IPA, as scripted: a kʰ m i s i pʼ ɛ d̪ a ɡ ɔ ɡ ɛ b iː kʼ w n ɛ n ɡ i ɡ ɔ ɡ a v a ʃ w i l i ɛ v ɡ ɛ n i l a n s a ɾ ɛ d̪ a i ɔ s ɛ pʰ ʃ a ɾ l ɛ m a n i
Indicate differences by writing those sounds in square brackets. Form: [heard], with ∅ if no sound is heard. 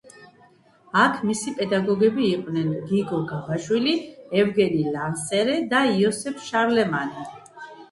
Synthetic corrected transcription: a kʰ m i s i pʼ ɛ d̪ a ɡ ɔ ɡ ɛ b iː [qʼ] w n ɛ n ɡ i ɡ ɔ ɡ a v a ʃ w i l i ɛ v ɡ ɛ n i l a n s [ɛ] ɾ ɛ d̪ a i ɔ s ɛ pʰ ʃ a ɾ l ɛ m a n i

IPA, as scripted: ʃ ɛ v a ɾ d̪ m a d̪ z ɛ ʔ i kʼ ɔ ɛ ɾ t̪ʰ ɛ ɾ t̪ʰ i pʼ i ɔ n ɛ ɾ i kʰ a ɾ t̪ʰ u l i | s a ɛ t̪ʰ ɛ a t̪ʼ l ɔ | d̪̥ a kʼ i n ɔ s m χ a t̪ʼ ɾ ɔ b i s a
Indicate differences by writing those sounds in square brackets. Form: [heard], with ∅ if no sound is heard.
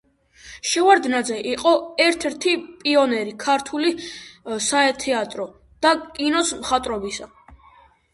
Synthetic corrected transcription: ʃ ɛ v a ɾ d̪ [n] a d̪ z ɛ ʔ i [qʼ] ɔ ɛ ɾ t̪ʰ ɛ ɾ t̪ʰ i pʼ i ɔ n ɛ ɾ i kʰ a ɾ t̪ʰ u l i | s a ɛ t̪ʰ ɛ a t̪ʼ [ɾ] ɔ | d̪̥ a kʼ i n ɔ s m χ a t̪ʼ ɾ ɔ b i s a

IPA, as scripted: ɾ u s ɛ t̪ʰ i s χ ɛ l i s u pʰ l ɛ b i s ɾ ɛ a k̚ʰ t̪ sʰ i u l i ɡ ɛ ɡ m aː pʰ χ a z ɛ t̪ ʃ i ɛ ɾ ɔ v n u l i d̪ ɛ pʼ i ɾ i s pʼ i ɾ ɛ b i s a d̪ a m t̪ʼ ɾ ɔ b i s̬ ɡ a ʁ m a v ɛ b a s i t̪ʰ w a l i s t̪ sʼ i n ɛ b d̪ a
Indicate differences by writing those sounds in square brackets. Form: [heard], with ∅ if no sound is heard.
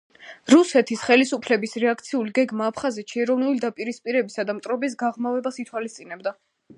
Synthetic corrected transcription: ɾ u s ɛ t̪ʰ i s χ ɛ l i s u pʰ l ɛ b i s ɾ ɛ a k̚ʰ t̪ sʰ i u l i ɡ ɛ ɡ m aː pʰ χ a z ɛ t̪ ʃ i ɛ ɾ ɔ v n u l i d̪ [a] pʼ i ɾ i s pʼ i ɾ ɛ b i s a d̪ a m t̪ʼ ɾ ɔ b i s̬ ɡ a ʁ m a v ɛ b a s i t̪ʰ w a l i s t̪ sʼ i n ɛ b d̪ a

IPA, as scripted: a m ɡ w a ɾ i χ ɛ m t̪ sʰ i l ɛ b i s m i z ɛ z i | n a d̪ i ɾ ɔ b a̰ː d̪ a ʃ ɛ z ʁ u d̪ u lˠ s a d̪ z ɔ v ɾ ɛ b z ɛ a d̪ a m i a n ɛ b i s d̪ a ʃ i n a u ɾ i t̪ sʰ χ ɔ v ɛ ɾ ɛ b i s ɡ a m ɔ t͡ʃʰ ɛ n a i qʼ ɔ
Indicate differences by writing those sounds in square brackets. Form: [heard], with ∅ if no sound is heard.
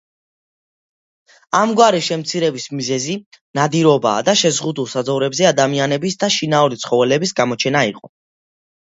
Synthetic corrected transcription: a m ɡ w a ɾ i [ʃ] ɛ m t̪ sʰ i [ɾ] ɛ b i s m i z ɛ z i | n a d̪ i ɾ ɔ b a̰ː d̪ a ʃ ɛ z ʁ u d̪ u lˠ s a d̪ z ɔ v ɾ ɛ b z ɛ a d̪ a m i a n ɛ b i s d̪ a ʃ i n a u ɾ i t̪ sʰ χ ɔ v ɛ [l] ɛ b i s ɡ a m ɔ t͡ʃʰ ɛ n a i qʼ ɔ

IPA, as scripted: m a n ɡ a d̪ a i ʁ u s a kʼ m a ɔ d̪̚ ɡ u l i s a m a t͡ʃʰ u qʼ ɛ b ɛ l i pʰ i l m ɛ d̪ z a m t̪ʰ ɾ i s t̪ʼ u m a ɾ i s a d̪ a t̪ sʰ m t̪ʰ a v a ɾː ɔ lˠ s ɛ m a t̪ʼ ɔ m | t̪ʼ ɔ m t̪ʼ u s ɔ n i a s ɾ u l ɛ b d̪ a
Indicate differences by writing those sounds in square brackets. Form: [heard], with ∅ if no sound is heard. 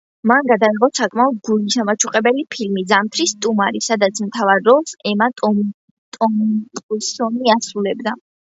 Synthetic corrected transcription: m a n ɡ a d̪ a i ʁ [ɔ] s a kʼ m a ɔ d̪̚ ɡ u l i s a m a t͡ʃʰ u qʼ ɛ b ɛ l i pʰ i l m [i] d̪ z a m t̪ʰ ɾ i s t̪ʼ u m a ɾ i s a d̪ a t̪ sʰ m t̪ʰ a v a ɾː ɔ lˠ s ɛ m a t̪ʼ ɔ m | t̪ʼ ɔ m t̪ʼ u s ɔ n i a s ɾ u l ɛ b d̪ a

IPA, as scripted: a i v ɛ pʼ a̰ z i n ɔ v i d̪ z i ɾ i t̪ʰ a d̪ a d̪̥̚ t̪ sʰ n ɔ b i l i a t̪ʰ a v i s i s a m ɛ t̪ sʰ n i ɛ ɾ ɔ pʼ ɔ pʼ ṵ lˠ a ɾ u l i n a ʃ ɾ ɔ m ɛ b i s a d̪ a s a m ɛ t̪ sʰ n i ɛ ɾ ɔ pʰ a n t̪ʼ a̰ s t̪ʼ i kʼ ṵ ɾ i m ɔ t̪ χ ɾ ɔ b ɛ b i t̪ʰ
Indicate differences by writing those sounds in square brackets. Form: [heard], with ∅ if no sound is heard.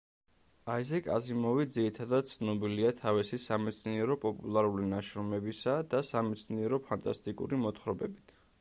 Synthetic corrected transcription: a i [z] ɛ [kʼ] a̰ z i [m] ɔ v i d̪ z i ɾ i t̪ʰ a d̪ a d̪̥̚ t̪ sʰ n ɔ b i l i a t̪ʰ a v i s i s a m ɛ t̪ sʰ n i ɛ ɾ ɔ pʼ ɔ pʼ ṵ lˠ a ɾ u l i n a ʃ ɾ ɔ m ɛ b i s a d̪ a s a m ɛ t̪ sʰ n i ɛ ɾ ɔ pʰ a n t̪ʼ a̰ s t̪ʼ i kʼ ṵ ɾ i m ɔ t̪ χ ɾ ɔ b ɛ b i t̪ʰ

